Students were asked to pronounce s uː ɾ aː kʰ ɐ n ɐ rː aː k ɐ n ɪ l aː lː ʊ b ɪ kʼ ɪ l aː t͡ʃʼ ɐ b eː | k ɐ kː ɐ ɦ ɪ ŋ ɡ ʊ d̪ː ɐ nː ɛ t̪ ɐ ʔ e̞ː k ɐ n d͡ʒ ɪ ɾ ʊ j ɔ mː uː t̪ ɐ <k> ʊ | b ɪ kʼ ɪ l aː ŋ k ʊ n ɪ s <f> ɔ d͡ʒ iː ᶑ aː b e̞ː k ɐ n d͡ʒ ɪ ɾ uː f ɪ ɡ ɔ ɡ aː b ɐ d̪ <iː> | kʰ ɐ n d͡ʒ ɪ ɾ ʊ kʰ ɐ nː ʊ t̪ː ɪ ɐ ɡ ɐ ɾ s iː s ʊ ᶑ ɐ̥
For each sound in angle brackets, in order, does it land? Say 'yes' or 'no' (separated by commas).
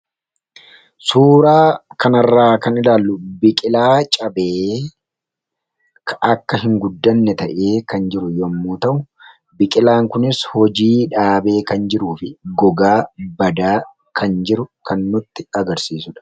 no, no, no